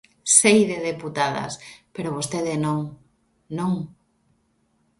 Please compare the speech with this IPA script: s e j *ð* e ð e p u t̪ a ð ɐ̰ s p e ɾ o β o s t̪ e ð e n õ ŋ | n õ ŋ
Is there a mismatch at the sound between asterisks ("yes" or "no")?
no